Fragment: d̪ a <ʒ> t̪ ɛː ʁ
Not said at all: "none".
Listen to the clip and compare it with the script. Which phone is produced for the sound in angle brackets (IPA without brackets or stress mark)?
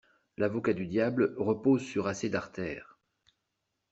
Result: ʁ